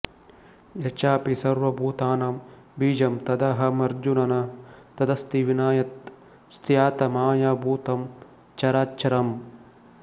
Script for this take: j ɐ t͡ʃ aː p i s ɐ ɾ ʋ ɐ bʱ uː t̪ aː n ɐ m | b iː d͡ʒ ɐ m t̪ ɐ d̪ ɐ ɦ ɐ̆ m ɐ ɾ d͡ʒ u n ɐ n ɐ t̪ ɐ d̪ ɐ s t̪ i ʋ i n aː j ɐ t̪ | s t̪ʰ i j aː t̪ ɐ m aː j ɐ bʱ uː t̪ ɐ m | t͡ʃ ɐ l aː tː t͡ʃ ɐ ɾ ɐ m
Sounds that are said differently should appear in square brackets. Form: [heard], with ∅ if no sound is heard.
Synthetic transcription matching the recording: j ɐ t͡ʃ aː p i s ɐ ɾ ʋ ɐ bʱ uː t̪ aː n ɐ m | b iː d͡ʒ ɐ m t̪ ɐ d̪ ɐ ɦ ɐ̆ m ɐ ɾ d͡ʒ u n ɐ n ɐ t̪ ɐ d̪ ɐ s t̪ i ʋ i n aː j ɐ t̪ | s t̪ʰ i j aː t̪ ɐ m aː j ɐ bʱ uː t̪ ɐ m | t͡ʃ ɐ [ɾ] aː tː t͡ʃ ɐ ɾ ɐ m